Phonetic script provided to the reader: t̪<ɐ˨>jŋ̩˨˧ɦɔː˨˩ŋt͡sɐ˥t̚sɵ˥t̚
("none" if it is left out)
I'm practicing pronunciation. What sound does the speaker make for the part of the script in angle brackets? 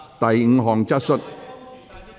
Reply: ɐ˨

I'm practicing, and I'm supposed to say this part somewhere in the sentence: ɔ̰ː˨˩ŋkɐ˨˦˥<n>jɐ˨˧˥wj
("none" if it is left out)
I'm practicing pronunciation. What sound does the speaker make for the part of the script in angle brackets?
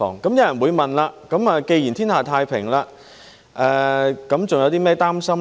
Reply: m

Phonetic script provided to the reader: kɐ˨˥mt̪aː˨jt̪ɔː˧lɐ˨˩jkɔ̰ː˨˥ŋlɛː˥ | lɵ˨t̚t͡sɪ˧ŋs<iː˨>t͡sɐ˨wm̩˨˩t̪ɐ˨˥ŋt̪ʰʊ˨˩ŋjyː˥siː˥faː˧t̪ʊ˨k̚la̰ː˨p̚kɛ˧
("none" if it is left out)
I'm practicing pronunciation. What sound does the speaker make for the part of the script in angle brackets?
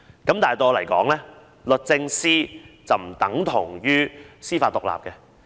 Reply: iː˥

